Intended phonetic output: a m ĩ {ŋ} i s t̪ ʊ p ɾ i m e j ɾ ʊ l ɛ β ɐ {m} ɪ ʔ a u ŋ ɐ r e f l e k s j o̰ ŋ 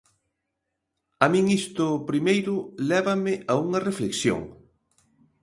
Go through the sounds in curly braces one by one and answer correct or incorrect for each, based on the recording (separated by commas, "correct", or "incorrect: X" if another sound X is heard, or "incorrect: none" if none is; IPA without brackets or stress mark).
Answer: correct, correct